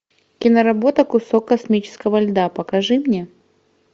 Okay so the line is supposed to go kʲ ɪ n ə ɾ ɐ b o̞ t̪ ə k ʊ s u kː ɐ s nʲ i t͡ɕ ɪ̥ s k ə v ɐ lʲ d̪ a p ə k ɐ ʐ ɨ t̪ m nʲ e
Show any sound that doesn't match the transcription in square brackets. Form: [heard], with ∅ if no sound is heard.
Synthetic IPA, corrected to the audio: kʲ ɪ n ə ɾ ɐ b o̞ t̪ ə k ʊ s [o] kː ɐ s [mʲ] i t͡ɕ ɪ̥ s k ə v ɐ lʲ d̪ a p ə k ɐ ʐ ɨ [∅] m nʲ e